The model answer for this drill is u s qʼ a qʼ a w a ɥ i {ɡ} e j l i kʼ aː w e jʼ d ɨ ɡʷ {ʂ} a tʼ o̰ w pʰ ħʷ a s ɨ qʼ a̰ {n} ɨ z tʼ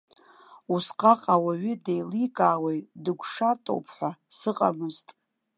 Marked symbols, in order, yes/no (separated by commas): no, yes, no